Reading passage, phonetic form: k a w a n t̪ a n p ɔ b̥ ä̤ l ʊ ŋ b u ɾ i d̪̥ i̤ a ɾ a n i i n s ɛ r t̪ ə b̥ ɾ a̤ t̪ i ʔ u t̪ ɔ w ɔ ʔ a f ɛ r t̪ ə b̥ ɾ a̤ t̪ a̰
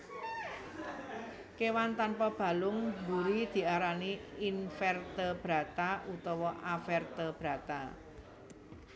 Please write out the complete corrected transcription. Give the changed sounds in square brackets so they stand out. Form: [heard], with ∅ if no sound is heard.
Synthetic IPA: k [e] w a n t̪ a n p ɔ b̥ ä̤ l ʊ ŋ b u ɾ i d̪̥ i̤ a ɾ a n i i n [f] ɛ r t̪ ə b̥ ɾ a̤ t̪ [a] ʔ u t̪ ɔ w ɔ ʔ a f ɛ r t̪ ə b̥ ɾ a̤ t̪ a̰